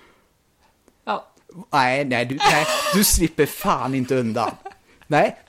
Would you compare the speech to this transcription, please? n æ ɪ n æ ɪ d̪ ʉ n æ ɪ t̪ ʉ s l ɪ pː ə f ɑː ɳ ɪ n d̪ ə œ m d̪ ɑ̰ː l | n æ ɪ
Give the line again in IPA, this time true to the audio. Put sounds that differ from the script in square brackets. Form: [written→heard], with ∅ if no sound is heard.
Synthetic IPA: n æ ɪ n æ ɪ d̪ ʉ n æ ɪ [t̪→d̪] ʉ s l ɪ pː ə f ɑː [ɳ→n] ɪ n [d̪→t̪] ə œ [m→n] d̪ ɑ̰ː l | n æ ɪ